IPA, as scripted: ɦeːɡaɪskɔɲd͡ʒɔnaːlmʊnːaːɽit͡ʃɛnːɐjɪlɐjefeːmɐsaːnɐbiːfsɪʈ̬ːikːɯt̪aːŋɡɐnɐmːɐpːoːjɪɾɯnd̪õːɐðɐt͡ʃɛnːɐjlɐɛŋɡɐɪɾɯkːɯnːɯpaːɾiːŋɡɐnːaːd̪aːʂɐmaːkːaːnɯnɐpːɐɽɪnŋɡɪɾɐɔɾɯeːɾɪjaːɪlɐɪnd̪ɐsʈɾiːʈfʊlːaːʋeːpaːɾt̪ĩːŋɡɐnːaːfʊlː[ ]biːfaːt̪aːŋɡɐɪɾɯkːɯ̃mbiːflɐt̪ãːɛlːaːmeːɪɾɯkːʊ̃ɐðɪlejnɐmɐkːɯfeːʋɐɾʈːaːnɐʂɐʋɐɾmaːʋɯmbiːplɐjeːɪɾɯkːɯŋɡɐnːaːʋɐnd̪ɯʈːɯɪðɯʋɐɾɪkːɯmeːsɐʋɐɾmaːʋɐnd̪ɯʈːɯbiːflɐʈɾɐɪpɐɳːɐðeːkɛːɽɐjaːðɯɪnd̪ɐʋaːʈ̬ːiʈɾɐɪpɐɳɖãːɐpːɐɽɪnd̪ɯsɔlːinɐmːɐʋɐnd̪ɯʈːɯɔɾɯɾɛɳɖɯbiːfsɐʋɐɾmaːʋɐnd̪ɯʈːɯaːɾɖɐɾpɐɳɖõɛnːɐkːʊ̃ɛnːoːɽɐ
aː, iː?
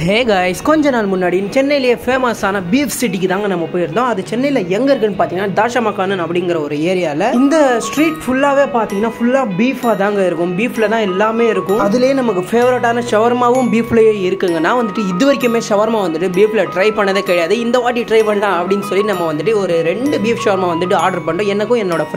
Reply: aː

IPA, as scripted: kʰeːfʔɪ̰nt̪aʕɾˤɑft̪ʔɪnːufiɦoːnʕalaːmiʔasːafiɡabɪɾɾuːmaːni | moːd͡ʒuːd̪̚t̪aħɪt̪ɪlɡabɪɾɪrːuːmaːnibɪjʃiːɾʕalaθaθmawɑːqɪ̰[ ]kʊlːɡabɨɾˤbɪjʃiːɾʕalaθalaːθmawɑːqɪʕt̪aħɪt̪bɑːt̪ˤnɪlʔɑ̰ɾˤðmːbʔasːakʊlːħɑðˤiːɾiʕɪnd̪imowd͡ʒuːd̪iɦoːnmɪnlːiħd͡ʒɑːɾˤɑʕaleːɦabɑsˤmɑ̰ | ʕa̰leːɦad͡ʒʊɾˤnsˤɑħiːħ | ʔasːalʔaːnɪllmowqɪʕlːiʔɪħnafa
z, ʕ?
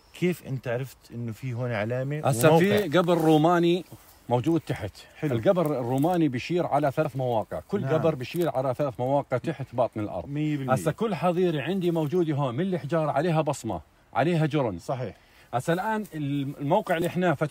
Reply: ʕ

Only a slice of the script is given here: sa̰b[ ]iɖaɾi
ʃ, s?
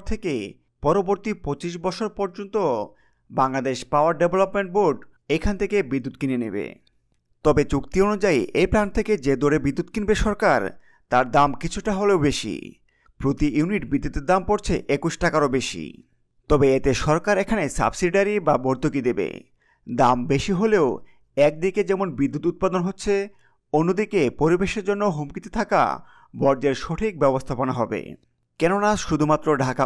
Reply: s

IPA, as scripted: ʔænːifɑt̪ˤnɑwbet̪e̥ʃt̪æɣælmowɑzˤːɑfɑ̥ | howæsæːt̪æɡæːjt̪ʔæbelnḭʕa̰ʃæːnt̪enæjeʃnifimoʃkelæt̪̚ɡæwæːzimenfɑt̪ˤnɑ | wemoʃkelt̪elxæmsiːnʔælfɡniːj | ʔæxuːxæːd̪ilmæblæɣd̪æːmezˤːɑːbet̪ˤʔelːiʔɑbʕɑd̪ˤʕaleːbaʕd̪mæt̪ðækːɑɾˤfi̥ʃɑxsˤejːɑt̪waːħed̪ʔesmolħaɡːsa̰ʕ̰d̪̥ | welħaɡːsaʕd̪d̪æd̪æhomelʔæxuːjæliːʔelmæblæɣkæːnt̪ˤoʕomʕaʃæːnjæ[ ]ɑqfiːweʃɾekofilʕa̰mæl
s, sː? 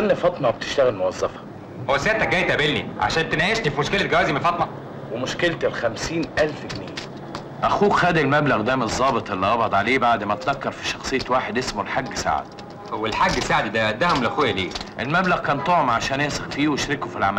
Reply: s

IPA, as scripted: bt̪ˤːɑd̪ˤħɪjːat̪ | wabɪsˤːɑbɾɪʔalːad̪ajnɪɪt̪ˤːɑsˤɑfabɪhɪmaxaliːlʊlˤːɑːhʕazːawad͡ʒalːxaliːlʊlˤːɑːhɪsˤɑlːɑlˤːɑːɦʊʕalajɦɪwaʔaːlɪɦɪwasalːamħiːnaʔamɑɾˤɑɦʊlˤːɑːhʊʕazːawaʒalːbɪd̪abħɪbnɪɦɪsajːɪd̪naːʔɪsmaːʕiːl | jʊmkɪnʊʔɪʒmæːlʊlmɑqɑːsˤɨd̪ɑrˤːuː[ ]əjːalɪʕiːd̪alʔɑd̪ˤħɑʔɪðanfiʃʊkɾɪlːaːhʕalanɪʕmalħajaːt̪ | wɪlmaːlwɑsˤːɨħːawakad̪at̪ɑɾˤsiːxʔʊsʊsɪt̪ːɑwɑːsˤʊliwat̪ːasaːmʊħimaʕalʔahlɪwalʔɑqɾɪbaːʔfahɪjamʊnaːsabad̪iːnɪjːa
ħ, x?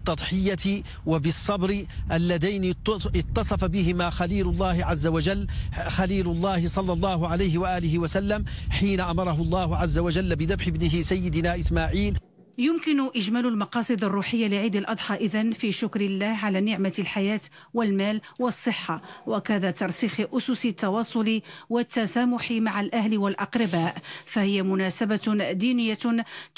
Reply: ħ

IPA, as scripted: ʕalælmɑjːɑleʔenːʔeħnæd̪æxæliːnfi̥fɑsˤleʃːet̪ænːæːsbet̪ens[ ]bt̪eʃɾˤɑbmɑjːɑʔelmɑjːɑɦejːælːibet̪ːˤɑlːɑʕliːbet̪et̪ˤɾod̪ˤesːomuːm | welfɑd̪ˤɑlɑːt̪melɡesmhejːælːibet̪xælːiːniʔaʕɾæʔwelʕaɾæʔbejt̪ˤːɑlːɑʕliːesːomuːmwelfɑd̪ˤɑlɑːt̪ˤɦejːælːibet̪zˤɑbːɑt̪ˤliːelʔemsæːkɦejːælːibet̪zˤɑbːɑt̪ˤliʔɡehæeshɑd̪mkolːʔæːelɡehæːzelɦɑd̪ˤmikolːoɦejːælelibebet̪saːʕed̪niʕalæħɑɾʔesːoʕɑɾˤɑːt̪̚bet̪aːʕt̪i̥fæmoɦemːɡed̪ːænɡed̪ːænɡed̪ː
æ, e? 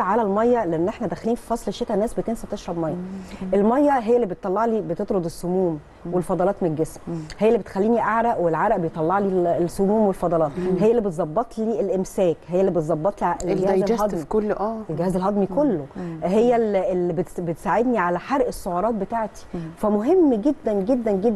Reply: æ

